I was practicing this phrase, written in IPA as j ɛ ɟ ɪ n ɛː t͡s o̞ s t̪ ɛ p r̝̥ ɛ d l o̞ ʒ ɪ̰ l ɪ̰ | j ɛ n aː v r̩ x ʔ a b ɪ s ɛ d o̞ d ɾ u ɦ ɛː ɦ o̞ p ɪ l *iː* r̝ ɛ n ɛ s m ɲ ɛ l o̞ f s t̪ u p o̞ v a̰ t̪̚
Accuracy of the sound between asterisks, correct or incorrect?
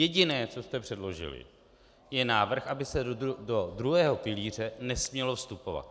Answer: correct